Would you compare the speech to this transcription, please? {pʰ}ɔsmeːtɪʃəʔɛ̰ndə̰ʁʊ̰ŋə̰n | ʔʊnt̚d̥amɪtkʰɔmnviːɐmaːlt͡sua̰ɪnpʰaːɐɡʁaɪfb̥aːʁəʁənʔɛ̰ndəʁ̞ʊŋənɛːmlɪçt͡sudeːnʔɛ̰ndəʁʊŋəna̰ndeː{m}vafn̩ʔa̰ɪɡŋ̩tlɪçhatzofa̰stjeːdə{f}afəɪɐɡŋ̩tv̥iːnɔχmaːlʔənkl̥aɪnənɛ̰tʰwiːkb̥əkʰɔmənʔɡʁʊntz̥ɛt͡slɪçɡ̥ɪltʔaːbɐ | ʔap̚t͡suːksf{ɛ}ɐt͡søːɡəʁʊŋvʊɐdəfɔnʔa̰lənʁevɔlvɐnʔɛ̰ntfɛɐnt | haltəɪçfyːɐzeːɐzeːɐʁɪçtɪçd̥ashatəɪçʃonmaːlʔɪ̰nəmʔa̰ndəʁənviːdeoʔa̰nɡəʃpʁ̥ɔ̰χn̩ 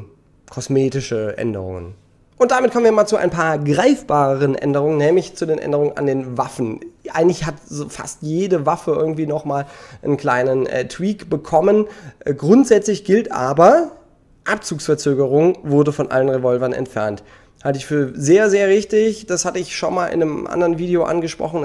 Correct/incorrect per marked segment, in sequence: incorrect: kʰ, incorrect: n, incorrect: v, correct

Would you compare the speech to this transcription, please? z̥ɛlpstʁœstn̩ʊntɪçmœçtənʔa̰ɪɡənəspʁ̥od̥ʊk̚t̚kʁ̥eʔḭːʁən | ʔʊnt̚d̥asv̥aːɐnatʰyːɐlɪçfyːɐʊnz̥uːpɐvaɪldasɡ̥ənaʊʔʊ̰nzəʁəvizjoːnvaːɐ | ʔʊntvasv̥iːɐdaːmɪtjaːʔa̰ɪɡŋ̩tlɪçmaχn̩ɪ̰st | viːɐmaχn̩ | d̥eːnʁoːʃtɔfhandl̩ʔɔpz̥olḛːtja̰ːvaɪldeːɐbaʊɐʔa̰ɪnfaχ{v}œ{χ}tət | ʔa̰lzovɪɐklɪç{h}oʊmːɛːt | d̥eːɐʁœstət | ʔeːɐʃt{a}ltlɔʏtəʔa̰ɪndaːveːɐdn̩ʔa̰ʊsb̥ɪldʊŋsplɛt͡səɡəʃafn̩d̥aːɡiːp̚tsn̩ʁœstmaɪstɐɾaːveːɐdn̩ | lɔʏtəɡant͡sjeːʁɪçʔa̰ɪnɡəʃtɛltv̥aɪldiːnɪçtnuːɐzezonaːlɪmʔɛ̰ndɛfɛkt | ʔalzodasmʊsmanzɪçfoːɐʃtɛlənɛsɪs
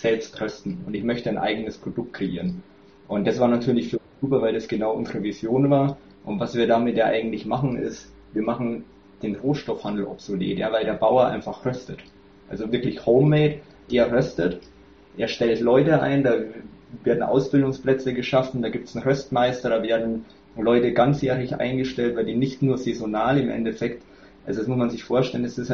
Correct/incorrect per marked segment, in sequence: incorrect: ʁ, incorrect: s, correct, incorrect: ɛ

